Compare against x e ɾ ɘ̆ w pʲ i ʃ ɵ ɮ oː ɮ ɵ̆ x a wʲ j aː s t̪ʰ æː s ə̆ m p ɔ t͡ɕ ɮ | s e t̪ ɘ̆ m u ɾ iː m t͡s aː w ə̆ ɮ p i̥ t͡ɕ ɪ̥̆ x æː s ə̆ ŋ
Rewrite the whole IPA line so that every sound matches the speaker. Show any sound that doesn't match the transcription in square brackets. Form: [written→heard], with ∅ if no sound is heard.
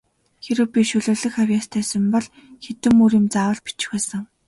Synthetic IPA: x e ɾ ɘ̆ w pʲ i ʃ ɵ ɮ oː ɮ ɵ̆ x a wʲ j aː s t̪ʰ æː s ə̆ m p ɔ [t͡ɕ→∅] ɮ | [s→x] e t̪ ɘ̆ m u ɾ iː m t͡s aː w ə̆ ɮ p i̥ t͡ɕ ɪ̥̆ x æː s ə̆ ŋ

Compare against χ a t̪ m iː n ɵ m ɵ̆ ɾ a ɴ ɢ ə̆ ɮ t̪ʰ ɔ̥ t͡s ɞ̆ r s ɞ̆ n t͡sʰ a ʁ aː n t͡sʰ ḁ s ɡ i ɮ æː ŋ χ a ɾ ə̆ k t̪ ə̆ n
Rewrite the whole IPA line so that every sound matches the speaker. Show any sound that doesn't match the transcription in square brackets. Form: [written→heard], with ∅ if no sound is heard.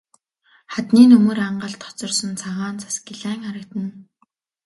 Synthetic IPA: χ a t̪ [m→n] iː n ɵ m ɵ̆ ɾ a ɴ ɢ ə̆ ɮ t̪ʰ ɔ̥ t͡s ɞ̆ r s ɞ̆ n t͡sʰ a ʁ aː n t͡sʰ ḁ s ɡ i ɮ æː ŋ χ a ɾ ə̆ k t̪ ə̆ n

